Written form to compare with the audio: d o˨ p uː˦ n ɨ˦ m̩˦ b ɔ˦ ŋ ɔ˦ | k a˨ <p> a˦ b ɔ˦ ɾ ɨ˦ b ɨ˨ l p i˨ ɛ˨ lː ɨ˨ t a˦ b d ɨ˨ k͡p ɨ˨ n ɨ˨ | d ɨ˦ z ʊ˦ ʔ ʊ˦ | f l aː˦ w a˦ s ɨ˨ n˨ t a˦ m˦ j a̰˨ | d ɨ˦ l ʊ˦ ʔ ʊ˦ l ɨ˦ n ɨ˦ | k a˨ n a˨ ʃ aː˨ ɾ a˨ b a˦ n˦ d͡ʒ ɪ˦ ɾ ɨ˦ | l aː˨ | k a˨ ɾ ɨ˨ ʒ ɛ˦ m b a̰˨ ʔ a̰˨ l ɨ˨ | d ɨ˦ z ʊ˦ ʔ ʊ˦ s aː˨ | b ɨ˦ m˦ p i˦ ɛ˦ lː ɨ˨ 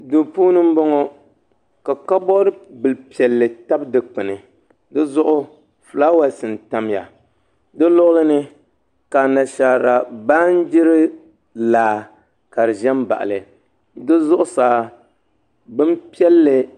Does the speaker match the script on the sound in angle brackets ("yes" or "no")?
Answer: no